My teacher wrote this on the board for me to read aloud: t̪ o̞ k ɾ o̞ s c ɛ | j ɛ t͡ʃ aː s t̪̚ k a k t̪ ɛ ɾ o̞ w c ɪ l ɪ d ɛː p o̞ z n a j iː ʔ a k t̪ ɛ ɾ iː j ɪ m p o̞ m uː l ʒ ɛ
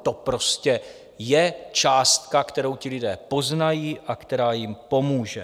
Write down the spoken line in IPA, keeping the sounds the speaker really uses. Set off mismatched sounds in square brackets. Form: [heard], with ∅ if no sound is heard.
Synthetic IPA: t̪ o̞ [p] ɾ o̞ s c ɛ | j ɛ t͡ʃ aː s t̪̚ k a k t̪ ɛ ɾ o̞ w c ɪ l ɪ d ɛː p o̞ z n a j iː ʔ a k t̪ ɛ ɾ [aː] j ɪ m p o̞ m uː [∅] ʒ ɛ